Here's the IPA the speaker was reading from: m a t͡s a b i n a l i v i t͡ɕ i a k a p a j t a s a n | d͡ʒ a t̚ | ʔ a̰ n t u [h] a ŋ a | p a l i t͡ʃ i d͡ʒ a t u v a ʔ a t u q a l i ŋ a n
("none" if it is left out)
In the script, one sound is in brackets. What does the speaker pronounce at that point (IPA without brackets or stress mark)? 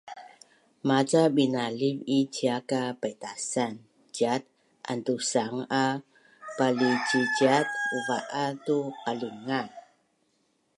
s